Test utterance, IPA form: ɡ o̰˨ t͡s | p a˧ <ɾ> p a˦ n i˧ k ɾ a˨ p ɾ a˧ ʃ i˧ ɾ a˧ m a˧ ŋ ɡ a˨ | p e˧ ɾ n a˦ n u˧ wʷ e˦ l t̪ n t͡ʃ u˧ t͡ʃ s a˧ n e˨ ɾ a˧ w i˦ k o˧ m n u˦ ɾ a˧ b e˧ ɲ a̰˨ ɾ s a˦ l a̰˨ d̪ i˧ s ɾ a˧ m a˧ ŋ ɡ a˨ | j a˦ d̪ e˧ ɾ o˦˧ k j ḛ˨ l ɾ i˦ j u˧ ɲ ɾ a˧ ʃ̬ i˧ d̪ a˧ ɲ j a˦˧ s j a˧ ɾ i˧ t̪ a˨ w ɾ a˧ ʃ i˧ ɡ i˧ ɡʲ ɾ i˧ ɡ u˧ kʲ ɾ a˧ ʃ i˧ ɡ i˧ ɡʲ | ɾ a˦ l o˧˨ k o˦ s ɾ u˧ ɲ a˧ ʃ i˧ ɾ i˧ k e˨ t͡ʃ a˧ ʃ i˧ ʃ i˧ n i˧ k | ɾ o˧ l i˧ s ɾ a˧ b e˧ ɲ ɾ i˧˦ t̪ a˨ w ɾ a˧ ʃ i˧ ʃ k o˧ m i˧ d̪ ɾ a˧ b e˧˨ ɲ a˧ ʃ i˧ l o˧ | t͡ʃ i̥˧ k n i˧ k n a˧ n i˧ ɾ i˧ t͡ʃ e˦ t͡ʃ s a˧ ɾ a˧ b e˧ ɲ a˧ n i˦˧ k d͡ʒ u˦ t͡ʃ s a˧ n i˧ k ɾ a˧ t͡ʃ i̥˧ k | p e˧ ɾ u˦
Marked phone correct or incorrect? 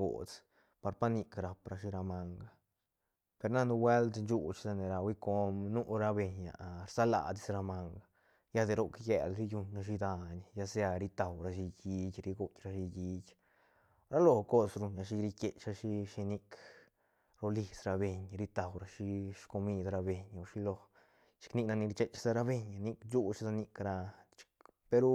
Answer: correct